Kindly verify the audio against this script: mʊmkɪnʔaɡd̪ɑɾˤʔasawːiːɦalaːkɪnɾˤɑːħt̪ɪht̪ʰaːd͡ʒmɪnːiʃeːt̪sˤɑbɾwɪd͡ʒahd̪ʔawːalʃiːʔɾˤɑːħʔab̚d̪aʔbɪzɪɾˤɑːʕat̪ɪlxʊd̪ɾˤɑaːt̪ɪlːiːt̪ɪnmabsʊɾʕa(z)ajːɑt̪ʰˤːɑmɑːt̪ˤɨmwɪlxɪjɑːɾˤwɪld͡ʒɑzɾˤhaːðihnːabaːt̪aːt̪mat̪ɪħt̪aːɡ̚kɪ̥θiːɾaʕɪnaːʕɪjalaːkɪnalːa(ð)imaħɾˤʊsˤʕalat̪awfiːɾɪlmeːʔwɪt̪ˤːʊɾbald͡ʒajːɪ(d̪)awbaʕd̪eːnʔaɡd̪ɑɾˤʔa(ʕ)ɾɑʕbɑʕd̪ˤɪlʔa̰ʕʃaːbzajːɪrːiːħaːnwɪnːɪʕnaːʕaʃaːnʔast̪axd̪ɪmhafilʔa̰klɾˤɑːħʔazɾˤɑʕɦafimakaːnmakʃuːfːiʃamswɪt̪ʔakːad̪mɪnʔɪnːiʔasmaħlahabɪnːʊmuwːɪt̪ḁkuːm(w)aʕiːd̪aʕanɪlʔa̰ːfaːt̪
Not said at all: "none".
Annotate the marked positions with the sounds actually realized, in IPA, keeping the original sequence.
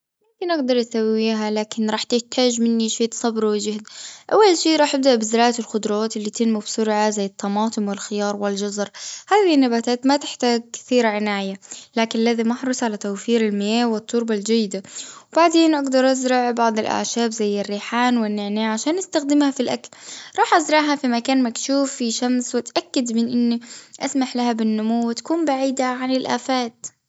z, ð, d̪, z, b

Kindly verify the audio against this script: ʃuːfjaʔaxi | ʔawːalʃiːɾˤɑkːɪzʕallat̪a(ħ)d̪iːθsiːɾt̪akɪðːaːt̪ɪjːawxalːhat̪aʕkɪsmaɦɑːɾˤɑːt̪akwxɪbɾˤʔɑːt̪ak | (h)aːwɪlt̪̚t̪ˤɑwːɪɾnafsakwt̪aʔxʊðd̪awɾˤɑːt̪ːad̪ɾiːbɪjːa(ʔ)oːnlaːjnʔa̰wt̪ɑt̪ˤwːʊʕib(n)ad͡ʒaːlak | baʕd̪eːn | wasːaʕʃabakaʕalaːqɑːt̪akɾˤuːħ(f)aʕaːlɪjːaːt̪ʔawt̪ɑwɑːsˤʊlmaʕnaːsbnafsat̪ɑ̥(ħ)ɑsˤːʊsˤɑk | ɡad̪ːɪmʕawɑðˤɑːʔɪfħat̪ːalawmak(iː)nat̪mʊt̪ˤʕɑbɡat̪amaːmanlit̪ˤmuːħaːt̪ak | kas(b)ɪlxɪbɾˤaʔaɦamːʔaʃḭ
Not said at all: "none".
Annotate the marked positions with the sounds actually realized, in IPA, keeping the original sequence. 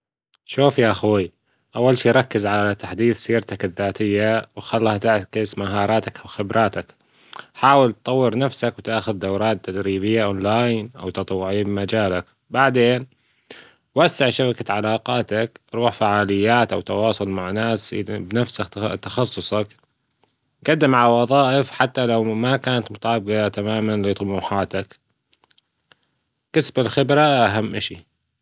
ħ, ħ, ʔ, m, f, x, aː, b

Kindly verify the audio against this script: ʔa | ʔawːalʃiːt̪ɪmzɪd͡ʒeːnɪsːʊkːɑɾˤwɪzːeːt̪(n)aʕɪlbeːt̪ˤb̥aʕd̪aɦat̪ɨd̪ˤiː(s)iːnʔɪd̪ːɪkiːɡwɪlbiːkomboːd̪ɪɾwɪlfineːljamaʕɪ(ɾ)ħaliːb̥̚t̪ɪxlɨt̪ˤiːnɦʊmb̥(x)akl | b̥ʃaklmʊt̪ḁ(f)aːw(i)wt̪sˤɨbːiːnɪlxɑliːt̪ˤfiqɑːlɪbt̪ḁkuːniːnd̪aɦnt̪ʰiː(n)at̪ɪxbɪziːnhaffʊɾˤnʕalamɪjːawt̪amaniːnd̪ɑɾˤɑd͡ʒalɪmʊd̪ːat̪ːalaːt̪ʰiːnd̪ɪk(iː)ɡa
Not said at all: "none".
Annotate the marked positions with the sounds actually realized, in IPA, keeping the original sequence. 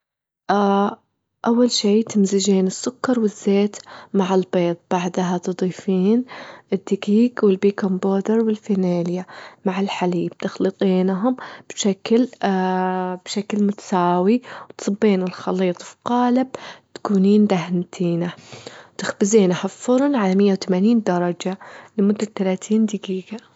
m, f, l, ʃ, s, i, n, iː

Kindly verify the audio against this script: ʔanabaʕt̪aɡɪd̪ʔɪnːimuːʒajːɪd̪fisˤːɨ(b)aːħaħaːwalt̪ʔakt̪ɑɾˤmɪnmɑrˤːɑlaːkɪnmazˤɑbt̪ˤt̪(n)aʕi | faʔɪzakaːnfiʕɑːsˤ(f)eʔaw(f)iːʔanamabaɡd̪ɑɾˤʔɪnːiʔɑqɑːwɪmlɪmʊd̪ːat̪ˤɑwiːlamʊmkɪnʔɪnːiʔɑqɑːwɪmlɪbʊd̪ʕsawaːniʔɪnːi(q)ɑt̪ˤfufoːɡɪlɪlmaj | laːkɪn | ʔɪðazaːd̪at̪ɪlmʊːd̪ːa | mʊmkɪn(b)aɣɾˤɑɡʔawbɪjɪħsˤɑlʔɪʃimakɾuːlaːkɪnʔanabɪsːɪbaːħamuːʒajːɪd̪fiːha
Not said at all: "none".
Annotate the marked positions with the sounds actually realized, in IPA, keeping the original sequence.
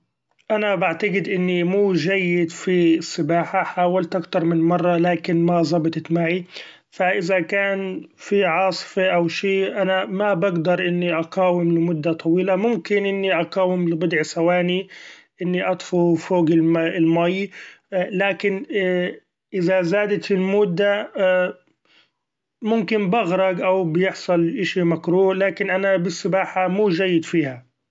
b, m, f, ʃ, ʔ, b

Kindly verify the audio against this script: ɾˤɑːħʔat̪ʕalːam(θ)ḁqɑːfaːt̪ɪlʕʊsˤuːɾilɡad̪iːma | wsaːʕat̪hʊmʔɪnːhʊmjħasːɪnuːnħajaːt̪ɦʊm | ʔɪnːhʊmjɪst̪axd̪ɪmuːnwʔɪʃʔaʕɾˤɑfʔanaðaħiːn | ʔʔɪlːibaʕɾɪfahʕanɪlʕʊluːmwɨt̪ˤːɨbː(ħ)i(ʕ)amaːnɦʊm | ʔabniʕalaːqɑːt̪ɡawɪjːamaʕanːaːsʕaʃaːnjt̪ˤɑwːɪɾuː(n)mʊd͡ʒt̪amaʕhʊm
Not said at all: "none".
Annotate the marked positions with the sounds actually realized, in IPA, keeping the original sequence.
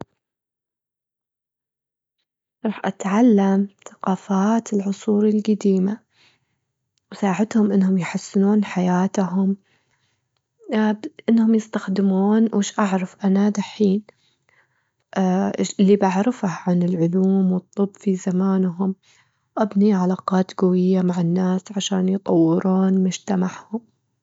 θ, f, z, n

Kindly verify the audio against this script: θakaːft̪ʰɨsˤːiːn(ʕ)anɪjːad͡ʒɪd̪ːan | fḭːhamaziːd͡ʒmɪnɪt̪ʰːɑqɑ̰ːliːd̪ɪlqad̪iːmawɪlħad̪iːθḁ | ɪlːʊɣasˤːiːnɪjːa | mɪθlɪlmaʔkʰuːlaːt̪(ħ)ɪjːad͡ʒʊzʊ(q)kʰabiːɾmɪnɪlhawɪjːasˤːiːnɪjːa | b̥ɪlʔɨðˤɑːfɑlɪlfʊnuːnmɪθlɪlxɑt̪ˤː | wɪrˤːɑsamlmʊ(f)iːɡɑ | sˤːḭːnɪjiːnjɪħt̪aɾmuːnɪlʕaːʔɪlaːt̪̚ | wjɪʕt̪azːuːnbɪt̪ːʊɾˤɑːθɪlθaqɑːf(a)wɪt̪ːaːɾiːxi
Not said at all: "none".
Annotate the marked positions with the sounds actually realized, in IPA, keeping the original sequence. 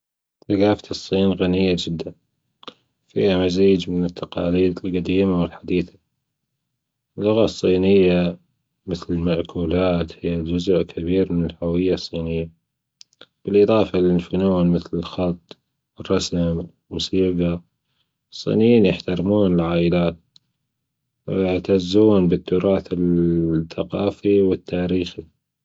ɣ, h, ʔ, s, i

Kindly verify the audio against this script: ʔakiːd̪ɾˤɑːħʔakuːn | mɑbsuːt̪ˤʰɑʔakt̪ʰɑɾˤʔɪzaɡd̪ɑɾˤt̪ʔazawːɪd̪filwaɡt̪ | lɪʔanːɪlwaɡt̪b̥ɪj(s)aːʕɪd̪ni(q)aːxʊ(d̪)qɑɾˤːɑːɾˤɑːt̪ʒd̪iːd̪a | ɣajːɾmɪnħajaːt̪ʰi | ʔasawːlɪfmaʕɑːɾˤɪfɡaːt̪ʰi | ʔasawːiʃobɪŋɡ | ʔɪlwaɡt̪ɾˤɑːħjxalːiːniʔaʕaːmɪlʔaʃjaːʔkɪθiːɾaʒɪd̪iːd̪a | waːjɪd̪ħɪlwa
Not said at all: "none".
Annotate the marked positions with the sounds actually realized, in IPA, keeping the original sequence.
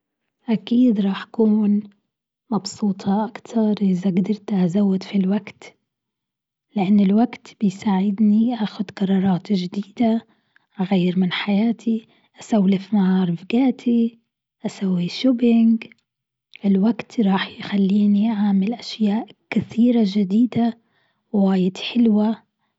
s, ʔ, d̪

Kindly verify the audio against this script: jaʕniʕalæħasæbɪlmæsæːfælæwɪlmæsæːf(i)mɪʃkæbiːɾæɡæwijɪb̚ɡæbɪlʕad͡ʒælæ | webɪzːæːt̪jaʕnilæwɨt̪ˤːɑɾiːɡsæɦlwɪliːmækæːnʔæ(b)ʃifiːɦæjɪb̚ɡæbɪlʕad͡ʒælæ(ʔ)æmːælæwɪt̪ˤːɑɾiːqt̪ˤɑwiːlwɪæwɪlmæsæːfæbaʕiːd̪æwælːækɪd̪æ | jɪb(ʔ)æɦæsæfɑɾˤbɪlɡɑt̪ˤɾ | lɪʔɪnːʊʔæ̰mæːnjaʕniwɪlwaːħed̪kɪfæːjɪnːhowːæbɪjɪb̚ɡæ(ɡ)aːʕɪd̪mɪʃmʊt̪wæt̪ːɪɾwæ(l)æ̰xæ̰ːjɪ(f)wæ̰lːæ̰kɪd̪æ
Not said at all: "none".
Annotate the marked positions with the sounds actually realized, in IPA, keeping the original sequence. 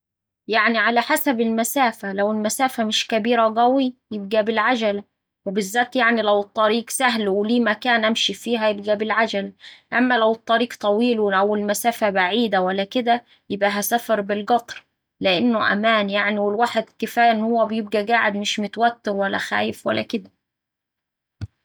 æ, m, ʔ, ʔ, ɡ, lː, f

